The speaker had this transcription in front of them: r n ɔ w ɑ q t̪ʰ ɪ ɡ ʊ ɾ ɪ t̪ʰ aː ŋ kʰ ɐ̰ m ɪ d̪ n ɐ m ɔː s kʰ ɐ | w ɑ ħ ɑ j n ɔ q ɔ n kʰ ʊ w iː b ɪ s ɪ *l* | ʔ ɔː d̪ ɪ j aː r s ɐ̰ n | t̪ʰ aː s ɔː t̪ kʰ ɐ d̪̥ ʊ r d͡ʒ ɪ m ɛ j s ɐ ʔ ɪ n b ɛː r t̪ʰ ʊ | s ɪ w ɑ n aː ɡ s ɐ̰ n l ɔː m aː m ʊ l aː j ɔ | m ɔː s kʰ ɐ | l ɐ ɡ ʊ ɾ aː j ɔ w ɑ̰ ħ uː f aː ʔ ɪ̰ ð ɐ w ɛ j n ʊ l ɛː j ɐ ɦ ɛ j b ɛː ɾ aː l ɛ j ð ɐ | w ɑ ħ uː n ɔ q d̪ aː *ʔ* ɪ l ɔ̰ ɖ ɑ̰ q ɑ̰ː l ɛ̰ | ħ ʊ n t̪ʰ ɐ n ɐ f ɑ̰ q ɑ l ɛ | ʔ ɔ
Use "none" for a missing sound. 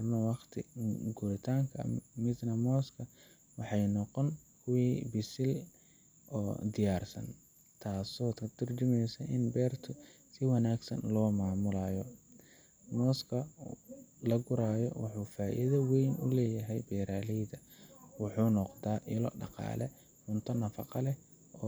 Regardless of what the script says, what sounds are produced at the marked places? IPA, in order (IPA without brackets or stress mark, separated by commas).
l, ʔ